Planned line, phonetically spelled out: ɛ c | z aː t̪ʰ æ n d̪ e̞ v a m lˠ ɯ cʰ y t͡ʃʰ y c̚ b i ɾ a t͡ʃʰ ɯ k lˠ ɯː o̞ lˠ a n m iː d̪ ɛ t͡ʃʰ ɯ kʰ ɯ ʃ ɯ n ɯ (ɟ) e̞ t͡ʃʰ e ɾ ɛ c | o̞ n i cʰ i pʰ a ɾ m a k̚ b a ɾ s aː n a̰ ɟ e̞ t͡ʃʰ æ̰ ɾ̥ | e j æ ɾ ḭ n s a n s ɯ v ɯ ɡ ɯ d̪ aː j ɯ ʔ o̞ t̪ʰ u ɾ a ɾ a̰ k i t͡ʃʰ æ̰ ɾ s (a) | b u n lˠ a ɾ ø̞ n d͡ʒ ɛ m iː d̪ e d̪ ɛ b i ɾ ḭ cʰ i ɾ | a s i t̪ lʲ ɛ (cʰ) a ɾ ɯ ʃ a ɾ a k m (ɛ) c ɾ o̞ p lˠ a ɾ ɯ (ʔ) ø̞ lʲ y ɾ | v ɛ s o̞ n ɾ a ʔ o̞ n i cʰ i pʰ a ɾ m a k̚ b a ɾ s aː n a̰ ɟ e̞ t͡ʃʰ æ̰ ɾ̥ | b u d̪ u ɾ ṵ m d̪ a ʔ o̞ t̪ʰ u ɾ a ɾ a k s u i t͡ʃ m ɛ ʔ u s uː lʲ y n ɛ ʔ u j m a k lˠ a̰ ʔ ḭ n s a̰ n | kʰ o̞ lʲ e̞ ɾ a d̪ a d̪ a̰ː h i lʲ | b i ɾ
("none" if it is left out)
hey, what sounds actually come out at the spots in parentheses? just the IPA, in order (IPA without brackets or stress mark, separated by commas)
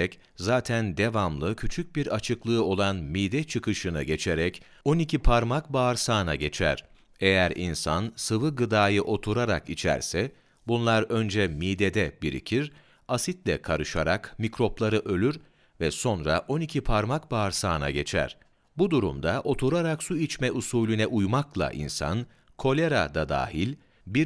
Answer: ɟ, ɛ, kʰ, i, ʔ